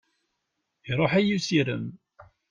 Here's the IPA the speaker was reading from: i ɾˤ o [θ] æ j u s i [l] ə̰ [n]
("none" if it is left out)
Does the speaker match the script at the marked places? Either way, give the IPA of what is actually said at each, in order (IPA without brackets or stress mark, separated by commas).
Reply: ħ, ɾ, m